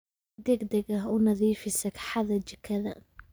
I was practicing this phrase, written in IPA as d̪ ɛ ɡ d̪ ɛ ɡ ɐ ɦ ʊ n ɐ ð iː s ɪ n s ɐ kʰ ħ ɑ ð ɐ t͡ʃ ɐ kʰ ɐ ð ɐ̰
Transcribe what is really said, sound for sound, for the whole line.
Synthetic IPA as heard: d̪ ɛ ɡ d̪ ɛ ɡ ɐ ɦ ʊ n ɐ ð iː f ɪ s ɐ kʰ ħ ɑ ð ɐ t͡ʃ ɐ kʰ ɐ ð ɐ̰